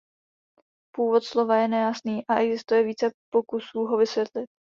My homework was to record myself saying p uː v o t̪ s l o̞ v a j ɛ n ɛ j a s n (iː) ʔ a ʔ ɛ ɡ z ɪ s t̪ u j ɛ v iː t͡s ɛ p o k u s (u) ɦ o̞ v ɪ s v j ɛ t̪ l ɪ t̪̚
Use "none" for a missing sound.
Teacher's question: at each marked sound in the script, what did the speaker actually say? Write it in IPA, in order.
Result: iː, uː

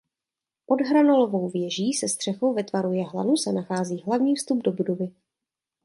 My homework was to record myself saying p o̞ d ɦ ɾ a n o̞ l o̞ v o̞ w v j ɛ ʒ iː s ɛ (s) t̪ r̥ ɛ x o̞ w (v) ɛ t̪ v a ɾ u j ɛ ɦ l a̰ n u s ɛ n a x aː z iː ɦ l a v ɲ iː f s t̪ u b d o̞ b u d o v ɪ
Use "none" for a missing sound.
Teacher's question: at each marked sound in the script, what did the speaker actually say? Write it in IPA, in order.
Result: s, v

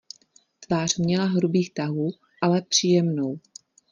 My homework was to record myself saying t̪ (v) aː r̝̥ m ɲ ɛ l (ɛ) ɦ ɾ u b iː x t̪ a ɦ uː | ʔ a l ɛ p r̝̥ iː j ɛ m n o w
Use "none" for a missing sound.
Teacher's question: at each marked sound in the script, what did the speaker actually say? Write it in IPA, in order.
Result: v, a

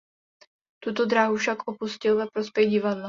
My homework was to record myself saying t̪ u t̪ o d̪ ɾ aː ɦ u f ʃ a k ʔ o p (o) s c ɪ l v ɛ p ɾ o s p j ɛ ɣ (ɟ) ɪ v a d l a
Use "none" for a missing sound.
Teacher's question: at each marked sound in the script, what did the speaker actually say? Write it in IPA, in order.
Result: u, ɟ

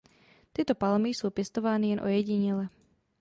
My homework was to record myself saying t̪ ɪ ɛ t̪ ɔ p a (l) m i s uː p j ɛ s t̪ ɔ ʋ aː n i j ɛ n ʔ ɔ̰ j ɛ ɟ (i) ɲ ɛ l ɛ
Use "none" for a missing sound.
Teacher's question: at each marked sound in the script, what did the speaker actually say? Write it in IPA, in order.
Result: l, i

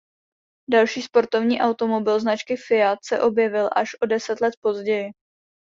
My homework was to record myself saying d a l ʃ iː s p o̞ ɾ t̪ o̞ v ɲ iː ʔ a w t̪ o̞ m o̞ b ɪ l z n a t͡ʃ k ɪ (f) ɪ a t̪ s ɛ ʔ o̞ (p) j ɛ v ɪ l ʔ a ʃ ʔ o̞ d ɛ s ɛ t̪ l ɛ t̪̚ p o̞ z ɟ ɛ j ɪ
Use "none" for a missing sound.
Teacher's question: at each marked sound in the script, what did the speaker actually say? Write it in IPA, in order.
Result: f, b

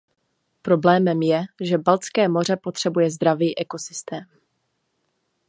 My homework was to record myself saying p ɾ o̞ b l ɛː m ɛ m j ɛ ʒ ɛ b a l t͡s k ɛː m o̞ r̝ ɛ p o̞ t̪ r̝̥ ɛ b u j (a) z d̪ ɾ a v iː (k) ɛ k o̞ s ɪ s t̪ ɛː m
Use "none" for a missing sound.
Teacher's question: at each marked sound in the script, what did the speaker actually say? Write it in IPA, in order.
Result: ɛ, ʔ

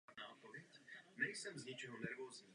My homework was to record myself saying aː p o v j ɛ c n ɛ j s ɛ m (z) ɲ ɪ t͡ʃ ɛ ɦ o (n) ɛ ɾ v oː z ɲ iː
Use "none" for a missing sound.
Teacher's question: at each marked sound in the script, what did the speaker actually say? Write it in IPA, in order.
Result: z, n

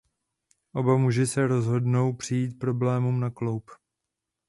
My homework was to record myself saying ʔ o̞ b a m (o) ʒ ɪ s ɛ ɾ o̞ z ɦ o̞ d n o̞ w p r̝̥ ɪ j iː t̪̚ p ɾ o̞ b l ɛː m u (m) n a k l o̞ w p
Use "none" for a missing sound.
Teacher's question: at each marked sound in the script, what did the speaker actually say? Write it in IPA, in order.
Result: u, m

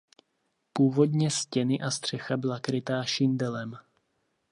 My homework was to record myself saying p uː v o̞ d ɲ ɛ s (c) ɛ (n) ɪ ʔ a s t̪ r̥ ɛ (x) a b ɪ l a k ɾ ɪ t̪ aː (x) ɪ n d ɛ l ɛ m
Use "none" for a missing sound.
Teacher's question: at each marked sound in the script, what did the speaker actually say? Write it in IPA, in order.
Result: c, n, x, ʃ

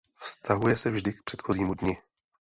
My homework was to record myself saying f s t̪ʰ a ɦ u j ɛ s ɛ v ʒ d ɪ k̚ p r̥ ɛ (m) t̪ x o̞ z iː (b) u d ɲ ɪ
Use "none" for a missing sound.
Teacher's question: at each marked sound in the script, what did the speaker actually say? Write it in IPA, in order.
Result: none, m

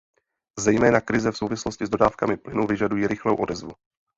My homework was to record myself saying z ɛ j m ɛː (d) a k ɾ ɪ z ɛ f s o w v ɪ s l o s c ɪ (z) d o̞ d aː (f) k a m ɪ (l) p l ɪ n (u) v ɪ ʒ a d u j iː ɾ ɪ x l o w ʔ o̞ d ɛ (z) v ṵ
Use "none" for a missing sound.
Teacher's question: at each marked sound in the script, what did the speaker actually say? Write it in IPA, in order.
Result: n, z, f, none, u, z

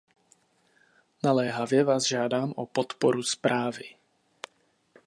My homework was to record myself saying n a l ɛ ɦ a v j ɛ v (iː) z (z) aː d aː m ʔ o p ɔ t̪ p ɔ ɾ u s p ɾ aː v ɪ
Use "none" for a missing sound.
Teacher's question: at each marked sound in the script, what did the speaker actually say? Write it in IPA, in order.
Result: aː, ʒ

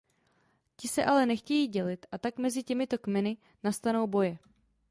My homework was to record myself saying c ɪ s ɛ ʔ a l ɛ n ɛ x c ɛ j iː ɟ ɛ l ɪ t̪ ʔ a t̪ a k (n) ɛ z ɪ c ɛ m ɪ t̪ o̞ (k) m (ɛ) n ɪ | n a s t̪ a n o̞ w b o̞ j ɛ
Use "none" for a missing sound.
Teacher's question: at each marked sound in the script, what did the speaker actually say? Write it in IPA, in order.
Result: m, k, ɛ

